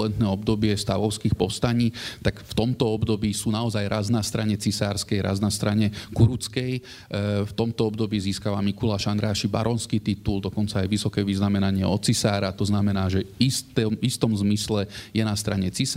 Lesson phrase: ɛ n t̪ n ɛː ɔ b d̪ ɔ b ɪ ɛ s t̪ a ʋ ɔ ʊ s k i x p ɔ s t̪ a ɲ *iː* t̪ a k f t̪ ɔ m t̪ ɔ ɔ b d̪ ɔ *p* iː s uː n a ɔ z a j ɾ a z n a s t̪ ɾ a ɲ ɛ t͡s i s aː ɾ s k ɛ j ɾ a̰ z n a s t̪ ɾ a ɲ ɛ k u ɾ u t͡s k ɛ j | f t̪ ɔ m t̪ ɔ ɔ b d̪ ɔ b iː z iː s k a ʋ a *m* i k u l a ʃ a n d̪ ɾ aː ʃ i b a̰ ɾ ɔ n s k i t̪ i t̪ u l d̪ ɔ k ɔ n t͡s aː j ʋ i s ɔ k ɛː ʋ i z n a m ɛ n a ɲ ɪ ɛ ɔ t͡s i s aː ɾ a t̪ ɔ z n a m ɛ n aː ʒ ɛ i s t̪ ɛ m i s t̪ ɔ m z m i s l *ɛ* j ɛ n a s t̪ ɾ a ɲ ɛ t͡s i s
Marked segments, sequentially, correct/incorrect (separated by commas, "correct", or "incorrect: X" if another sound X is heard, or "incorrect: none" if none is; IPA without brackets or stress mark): correct, incorrect: b, correct, correct